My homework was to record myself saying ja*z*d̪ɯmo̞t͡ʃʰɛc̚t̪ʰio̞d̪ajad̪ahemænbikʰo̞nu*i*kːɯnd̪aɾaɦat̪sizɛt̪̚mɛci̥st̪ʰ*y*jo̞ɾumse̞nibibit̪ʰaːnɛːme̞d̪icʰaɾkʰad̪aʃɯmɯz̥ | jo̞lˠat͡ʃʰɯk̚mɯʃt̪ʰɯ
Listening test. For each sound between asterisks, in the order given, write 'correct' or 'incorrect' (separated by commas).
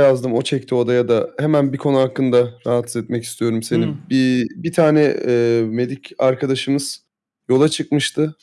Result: correct, incorrect, incorrect